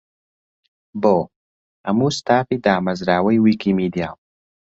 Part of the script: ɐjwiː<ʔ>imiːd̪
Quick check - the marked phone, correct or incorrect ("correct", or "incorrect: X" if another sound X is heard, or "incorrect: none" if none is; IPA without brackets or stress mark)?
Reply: incorrect: k